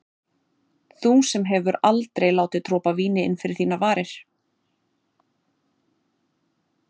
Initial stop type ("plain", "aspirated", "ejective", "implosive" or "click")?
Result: plain